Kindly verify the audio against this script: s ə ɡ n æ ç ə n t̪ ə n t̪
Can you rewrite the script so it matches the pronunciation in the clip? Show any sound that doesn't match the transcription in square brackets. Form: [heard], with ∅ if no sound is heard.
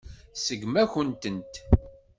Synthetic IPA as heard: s ə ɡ [m] æ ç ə n t̪ ə n t̪